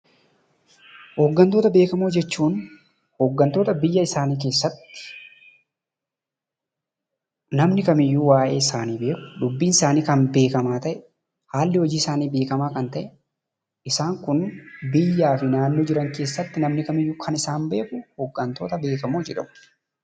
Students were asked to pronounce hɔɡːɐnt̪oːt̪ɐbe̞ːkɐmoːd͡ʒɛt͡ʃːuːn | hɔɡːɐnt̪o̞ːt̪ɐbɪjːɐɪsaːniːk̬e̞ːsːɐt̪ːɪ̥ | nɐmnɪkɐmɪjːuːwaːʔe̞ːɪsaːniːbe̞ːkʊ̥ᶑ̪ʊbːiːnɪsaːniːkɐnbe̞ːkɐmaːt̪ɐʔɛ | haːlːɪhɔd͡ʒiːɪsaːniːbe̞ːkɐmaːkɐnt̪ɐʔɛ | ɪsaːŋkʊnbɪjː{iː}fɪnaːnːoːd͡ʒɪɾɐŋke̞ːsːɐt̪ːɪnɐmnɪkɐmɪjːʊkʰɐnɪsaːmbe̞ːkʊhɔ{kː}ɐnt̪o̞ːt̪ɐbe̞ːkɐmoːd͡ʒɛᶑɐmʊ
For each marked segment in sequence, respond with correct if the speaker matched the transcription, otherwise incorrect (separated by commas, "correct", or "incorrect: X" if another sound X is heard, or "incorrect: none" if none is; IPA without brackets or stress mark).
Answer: incorrect: aː, incorrect: ɡː